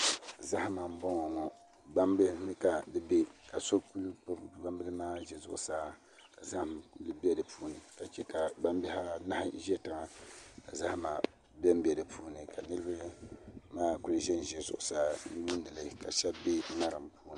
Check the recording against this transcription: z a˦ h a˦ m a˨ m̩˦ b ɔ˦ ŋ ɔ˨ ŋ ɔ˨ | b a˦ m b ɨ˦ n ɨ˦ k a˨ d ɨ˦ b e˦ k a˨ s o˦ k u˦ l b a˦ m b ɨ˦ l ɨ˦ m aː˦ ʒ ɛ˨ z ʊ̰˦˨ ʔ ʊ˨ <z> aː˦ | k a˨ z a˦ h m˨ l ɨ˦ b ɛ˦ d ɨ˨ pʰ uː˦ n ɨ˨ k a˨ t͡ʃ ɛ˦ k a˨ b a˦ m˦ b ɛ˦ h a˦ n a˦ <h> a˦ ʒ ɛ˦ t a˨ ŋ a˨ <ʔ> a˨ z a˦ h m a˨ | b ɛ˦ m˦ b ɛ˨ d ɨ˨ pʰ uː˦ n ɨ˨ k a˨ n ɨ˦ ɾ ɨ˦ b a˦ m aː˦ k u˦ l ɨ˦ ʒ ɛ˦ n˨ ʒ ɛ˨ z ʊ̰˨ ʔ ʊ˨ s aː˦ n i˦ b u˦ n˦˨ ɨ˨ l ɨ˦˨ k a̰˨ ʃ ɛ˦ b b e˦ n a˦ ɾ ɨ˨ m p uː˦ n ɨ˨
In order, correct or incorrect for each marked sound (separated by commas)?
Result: incorrect, correct, incorrect